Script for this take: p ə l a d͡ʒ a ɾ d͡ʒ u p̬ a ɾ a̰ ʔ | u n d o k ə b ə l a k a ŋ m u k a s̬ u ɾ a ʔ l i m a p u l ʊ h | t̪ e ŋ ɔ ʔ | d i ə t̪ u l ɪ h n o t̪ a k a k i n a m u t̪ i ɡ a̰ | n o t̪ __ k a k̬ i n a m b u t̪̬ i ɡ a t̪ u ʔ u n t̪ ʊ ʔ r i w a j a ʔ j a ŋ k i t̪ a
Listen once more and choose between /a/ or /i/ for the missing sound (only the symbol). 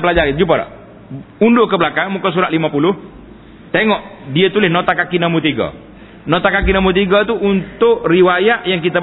a